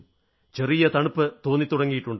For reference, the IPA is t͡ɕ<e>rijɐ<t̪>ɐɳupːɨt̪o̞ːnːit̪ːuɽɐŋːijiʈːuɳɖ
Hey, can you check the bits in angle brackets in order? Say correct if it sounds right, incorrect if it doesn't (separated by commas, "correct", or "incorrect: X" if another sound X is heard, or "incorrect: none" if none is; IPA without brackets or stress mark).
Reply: correct, correct